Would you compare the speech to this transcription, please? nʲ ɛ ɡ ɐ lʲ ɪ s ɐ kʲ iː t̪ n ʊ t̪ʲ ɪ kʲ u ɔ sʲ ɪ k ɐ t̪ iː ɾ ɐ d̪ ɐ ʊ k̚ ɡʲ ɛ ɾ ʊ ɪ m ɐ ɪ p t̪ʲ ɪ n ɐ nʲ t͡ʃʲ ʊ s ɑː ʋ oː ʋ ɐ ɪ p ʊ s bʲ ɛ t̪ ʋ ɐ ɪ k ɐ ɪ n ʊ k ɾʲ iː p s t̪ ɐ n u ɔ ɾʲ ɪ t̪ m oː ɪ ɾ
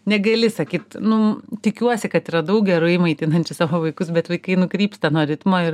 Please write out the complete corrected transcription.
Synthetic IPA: nʲ ɛ ɡ ɐ lʲ ɪ s ɐ kʲ iː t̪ n ʊ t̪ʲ ɪ kʲ u ɔ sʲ ɪ k ɐ t̪ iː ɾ ɐ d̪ ɐ ʊ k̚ ɡʲ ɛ ɾ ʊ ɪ m ɐ ɪ t̪ʲ ɪ n ɐ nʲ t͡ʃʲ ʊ s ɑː ʋ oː ʋ ɐ ɪ k ʊ s bʲ ɛ t̪ ʋ ɐ ɪ k ɐ ɪ n ʊ k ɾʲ iː p s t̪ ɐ n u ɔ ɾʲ ɪ t̪ m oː ɪ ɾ